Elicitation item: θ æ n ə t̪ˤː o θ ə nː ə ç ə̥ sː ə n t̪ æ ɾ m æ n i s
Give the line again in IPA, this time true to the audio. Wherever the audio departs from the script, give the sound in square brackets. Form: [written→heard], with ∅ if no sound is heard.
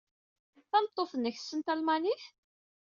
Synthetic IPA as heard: θ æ n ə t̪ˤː o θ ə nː ə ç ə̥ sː ə n t̪ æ [ɾ→l] m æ n i [s→θ]